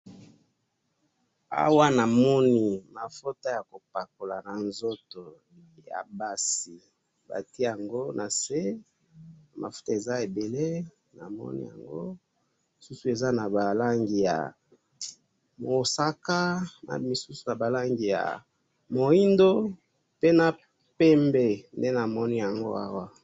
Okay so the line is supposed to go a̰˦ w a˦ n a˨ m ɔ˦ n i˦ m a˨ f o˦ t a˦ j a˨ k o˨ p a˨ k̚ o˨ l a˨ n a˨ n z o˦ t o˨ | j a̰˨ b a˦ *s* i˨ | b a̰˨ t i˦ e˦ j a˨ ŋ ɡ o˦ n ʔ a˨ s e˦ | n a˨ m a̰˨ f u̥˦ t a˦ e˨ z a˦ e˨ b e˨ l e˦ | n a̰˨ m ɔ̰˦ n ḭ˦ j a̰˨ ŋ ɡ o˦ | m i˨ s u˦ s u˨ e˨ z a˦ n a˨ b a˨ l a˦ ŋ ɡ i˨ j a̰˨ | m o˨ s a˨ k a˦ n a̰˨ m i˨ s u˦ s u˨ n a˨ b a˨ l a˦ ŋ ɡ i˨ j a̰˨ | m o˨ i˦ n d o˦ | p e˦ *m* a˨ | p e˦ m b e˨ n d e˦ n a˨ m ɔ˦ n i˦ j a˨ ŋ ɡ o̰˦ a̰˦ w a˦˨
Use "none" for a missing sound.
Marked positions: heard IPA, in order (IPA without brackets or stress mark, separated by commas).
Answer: s, n